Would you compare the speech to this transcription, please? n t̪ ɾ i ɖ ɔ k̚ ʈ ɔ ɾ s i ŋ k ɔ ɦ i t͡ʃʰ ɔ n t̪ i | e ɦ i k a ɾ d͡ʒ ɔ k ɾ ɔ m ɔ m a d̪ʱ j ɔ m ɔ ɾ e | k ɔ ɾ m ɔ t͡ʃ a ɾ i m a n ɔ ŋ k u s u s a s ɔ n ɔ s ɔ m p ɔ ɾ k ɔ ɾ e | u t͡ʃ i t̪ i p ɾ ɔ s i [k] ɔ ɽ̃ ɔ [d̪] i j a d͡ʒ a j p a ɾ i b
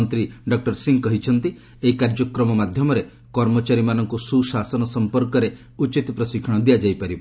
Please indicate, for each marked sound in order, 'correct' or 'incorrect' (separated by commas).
incorrect, correct